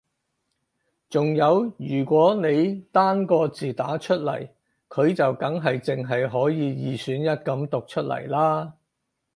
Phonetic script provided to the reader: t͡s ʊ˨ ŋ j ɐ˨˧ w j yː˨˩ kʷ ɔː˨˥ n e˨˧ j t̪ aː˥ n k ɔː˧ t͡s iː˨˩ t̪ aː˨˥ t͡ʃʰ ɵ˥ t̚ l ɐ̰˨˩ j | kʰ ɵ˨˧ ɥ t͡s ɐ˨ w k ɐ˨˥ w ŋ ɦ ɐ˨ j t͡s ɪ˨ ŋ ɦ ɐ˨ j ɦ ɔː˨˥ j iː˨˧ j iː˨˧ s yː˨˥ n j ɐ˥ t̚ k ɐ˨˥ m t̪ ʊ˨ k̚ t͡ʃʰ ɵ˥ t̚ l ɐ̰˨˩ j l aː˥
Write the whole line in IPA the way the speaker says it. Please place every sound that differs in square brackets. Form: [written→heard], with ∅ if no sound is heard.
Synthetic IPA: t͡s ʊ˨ ŋ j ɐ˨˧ w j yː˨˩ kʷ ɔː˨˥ n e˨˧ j t̪ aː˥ n k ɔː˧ t͡s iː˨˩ t̪ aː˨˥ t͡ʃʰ ɵ˥ t̚ l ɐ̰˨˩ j | kʰ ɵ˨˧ ɥ t͡s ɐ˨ w k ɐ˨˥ [w→∅] ŋ ɦ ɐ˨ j t͡s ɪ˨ ŋ ɦ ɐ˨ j ɦ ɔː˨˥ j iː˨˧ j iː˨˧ s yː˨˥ n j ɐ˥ t̚ k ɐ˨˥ m t̪ ʊ˨ k̚ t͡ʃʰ ɵ˥ t̚ l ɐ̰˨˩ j l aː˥

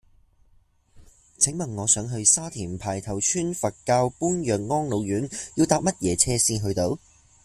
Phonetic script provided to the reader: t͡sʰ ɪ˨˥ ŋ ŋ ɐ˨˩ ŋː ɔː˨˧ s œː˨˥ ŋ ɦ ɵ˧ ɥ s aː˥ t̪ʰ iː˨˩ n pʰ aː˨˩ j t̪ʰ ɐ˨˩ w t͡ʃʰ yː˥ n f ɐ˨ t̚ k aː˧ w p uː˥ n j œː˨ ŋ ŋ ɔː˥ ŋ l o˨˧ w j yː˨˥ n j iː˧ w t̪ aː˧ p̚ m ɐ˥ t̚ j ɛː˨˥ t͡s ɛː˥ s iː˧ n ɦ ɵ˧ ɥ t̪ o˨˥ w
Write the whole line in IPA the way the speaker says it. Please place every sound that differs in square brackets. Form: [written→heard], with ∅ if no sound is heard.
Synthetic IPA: t͡sʰ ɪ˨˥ ŋ [ŋ→m] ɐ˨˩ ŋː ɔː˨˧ s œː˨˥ ŋ ɦ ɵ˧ ɥ s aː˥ t̪ʰ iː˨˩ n pʰ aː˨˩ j t̪ʰ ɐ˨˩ w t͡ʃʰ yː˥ n f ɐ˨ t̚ k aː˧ w p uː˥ n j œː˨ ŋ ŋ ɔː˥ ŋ l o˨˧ w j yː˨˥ n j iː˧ w t̪ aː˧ p̚ m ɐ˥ t̚ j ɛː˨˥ [t͡s→t͡sʰ] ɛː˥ s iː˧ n ɦ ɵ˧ ɥ t̪ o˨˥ w

